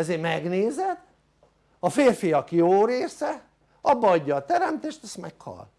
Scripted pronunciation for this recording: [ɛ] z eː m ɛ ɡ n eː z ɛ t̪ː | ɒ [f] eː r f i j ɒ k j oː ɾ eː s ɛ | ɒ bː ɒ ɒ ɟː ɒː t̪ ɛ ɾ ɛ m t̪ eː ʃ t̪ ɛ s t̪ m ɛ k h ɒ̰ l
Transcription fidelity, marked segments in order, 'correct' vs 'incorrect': correct, correct

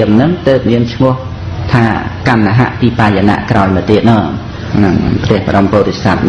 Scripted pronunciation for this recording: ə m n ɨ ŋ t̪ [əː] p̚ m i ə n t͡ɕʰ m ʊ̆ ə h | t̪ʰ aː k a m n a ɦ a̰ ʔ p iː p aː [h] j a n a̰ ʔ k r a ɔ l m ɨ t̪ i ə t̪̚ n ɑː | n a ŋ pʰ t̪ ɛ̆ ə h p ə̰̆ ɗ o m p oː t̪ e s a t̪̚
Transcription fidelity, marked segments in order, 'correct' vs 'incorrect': correct, incorrect: none

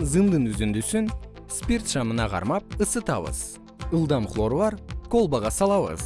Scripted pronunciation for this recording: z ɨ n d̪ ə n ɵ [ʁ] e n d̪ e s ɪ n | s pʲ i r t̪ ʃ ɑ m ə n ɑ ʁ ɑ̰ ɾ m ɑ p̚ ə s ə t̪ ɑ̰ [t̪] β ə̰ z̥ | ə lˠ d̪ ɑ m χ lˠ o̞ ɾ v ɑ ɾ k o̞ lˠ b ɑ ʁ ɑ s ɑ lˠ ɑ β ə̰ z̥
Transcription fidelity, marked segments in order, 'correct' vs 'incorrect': incorrect: z, incorrect: none

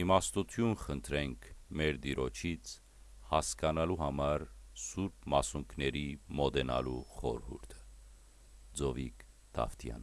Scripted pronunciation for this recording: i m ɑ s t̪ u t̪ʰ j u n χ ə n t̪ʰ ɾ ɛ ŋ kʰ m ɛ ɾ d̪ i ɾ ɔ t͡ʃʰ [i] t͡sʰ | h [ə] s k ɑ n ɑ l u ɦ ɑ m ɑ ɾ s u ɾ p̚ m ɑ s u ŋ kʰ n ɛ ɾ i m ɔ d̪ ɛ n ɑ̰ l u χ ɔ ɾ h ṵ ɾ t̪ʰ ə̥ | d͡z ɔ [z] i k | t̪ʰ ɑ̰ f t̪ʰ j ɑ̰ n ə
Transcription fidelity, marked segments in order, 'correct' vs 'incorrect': correct, incorrect: ɑ, incorrect: v

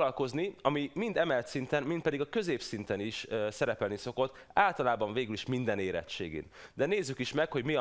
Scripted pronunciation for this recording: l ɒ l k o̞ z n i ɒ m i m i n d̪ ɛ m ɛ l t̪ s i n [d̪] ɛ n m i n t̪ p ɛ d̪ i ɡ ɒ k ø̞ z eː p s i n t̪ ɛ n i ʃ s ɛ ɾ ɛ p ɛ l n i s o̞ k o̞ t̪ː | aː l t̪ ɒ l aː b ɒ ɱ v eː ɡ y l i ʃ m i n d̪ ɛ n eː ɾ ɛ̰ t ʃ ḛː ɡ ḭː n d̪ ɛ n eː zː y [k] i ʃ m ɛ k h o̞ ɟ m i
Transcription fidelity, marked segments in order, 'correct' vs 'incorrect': incorrect: t̪, correct

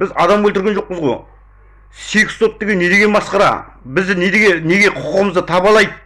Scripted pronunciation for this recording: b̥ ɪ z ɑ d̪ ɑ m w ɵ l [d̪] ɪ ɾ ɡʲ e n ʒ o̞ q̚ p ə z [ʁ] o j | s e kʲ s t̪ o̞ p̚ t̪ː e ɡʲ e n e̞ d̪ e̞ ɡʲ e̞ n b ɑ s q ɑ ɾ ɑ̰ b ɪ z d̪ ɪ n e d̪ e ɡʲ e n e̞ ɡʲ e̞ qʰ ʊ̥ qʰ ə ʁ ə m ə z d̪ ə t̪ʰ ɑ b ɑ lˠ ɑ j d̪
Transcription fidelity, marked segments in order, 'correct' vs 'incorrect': incorrect: t̪, correct

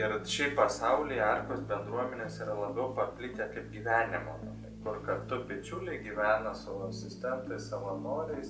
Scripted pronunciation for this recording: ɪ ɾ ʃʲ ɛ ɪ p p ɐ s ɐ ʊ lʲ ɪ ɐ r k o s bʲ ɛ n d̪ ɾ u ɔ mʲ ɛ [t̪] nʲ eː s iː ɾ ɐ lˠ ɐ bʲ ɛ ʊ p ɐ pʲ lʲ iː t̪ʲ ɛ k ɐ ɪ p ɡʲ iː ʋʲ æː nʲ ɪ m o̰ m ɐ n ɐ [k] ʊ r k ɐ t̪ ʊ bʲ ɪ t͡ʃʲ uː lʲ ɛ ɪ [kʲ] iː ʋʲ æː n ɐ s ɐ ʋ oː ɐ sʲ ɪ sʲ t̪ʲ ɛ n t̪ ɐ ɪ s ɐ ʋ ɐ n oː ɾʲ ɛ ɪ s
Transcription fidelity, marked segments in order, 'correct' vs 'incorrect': incorrect: none, correct, incorrect: ɡʲ

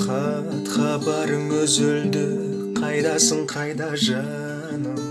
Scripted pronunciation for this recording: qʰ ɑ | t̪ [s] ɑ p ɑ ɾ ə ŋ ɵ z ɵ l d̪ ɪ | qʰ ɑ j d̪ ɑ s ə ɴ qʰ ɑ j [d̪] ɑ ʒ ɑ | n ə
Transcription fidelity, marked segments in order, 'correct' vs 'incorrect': incorrect: χ, correct

